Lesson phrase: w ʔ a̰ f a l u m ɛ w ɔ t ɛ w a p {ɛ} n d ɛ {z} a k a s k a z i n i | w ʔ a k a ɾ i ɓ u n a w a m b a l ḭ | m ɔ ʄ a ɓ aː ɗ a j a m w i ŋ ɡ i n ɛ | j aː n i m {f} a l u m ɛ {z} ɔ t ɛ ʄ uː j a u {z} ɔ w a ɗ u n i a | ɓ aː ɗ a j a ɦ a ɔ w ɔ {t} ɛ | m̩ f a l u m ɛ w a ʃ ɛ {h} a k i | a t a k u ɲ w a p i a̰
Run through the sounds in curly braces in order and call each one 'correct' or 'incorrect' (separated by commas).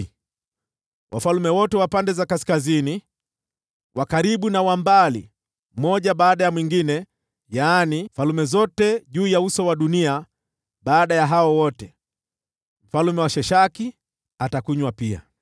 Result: incorrect, correct, correct, correct, incorrect, correct, incorrect